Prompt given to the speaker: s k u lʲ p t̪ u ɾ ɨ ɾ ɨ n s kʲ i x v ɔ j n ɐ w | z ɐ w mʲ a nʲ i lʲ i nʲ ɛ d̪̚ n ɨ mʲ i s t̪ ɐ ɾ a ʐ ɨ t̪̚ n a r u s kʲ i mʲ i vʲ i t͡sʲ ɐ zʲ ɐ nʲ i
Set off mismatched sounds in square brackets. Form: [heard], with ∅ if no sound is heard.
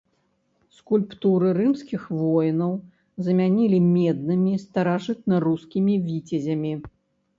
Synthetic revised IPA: s k u lʲ p t̪ u ɾ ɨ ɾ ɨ [m] s kʲ i x v ɔ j n ɐ w | z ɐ [∅] mʲ a nʲ i lʲ i [mʲ] ɛ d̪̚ n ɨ mʲ i s t̪ ɐ ɾ a ʐ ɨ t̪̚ n [ɐ] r u s kʲ i mʲ i vʲ i t͡sʲ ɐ zʲ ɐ [mʲ] i